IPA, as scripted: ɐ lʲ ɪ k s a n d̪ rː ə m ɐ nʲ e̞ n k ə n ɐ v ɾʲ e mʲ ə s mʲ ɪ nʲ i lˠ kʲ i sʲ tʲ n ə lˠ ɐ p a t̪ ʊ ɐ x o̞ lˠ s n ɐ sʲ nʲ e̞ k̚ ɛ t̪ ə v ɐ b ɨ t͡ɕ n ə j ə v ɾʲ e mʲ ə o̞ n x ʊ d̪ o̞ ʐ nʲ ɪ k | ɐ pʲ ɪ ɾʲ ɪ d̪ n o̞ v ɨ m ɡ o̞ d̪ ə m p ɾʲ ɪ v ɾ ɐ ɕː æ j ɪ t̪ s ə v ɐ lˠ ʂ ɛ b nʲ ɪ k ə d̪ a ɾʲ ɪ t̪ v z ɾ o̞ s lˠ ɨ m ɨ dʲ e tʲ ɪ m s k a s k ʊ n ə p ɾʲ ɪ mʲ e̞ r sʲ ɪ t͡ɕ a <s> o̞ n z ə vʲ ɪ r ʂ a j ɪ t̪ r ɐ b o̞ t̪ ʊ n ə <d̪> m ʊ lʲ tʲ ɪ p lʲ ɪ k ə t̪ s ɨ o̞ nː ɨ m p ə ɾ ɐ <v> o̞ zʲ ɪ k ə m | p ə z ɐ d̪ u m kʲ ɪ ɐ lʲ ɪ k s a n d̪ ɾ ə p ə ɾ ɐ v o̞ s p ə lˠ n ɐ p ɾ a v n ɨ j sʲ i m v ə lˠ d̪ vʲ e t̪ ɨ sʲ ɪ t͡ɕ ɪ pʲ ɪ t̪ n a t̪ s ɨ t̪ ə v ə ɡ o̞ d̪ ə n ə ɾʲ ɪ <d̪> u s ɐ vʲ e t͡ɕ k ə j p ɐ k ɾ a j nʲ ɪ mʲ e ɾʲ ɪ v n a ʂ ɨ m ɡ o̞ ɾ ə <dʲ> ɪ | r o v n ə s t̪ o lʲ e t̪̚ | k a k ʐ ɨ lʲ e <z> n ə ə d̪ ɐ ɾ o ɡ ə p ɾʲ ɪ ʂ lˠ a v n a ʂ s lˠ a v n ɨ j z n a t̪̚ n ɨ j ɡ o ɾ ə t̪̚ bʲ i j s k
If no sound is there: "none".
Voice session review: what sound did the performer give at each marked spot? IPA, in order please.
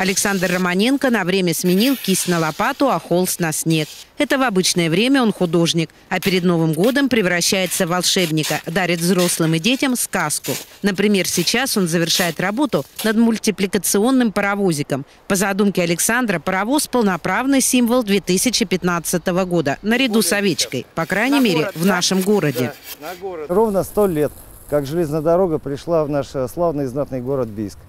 s, d̪, v, d̪, dʲ, z

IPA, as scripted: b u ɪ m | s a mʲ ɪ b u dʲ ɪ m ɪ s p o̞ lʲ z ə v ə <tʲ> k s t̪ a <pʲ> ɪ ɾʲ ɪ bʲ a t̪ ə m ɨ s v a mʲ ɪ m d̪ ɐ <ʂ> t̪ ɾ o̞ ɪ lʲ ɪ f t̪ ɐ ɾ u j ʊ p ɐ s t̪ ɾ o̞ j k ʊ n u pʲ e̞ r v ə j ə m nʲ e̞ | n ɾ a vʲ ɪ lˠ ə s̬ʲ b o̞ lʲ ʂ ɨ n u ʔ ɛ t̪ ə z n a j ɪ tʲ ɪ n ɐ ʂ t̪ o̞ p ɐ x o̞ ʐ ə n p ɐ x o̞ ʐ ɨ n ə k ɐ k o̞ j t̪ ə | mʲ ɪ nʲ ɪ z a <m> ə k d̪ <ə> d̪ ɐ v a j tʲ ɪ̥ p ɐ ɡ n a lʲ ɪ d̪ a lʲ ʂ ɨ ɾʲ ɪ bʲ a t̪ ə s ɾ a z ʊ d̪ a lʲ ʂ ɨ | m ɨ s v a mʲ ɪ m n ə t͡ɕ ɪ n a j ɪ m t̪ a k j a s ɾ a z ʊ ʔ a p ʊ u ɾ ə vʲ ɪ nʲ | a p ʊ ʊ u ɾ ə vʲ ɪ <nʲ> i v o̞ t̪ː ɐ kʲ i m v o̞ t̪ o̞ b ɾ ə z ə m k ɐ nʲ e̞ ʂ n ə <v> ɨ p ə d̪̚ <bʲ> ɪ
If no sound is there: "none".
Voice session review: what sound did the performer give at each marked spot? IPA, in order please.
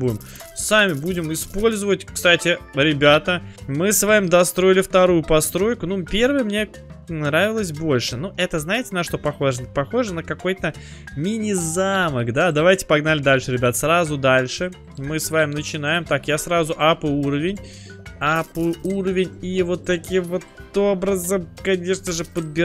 tʲ, tʲ, s, m, a, nʲ, ʐ, bʲ

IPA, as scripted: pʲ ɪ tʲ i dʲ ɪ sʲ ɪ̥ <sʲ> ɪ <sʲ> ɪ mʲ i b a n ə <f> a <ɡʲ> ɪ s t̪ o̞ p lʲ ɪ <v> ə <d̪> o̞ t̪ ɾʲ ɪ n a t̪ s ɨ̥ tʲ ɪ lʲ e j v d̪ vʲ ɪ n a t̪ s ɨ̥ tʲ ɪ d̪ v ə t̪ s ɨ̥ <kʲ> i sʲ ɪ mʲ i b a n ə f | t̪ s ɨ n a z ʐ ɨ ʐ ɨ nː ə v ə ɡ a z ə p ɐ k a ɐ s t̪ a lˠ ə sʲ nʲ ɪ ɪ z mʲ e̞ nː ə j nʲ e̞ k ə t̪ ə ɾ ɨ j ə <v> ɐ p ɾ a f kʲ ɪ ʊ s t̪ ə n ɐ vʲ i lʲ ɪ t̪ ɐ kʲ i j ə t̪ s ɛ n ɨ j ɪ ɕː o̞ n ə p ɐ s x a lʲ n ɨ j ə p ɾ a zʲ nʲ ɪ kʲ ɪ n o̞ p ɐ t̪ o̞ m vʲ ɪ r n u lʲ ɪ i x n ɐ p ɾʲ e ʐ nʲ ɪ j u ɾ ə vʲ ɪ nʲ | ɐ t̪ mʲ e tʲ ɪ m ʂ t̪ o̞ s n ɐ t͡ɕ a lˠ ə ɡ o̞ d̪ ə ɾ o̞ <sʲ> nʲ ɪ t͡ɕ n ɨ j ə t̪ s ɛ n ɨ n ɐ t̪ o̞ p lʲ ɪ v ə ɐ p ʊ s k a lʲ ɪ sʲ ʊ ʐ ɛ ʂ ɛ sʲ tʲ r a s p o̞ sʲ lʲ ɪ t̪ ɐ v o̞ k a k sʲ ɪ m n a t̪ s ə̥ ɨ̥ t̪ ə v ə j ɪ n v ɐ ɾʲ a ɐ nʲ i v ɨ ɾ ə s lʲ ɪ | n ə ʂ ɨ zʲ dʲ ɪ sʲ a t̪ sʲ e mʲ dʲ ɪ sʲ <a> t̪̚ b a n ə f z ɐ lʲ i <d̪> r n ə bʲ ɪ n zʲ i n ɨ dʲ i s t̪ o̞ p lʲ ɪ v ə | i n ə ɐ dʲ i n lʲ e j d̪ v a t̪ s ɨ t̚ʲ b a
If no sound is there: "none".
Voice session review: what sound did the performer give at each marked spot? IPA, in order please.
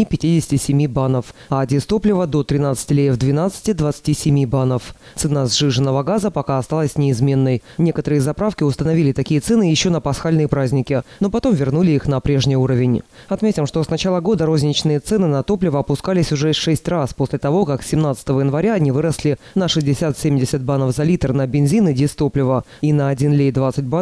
tʲ, sʲ, f, dʲ, v, d̪, tʲ, z, zʲ, ə, t̪

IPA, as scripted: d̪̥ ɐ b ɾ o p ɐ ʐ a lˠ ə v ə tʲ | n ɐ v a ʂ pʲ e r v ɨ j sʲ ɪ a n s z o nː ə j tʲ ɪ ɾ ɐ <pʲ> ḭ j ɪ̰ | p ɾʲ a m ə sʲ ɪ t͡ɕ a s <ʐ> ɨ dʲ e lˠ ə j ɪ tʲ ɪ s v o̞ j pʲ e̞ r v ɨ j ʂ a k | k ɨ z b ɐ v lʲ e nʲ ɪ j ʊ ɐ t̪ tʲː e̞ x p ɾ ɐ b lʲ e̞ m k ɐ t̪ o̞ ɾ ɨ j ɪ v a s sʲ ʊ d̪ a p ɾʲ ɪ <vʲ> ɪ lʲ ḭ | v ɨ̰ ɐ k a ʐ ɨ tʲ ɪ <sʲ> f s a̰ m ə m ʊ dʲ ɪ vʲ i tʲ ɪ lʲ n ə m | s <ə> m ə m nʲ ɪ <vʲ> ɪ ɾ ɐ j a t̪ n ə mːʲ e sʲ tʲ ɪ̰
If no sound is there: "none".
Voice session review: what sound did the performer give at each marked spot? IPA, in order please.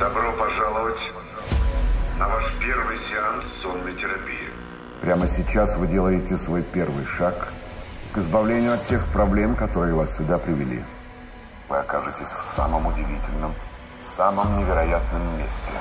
pʲ, v, vʲ, sʲ, a, vʲ

